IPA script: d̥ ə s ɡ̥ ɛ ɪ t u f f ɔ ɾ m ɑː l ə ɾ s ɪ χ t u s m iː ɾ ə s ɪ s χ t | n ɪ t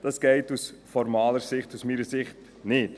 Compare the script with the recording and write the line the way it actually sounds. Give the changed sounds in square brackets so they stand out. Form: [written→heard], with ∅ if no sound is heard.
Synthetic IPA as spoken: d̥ [ə→ɑ] s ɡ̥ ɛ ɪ t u [f→s] f ɔ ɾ m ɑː l ə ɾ s ɪ χ t u s m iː ɾ ə s ɪ [s→∅] χ t | n ɪ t